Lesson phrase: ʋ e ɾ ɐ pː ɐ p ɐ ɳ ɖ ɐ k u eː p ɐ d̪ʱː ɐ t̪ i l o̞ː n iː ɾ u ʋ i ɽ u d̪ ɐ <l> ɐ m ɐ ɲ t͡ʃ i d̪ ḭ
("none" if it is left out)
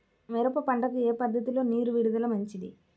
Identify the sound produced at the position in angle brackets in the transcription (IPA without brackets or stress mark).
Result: l